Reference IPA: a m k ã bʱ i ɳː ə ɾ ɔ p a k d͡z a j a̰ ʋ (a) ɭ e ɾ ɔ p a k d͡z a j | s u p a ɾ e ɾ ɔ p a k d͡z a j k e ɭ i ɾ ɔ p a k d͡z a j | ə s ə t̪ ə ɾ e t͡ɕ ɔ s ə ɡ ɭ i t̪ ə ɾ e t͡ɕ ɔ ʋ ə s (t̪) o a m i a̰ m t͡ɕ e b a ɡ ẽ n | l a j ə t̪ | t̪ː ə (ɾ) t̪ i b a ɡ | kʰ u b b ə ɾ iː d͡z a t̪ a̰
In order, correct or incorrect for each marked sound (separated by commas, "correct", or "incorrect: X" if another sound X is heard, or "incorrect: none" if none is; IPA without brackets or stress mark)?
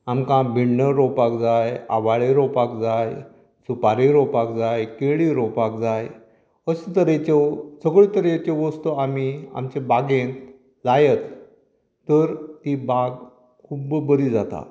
correct, correct, correct